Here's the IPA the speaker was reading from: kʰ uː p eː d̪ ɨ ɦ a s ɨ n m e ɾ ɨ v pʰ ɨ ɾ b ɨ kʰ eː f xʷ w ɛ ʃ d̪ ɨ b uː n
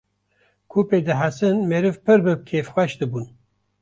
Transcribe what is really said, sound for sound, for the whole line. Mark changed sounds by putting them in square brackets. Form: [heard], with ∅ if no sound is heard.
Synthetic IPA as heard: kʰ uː p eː d̪ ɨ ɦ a s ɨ n m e ɾ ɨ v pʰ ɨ ɾ b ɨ kʰ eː f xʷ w ɛ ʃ d̪ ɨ b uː n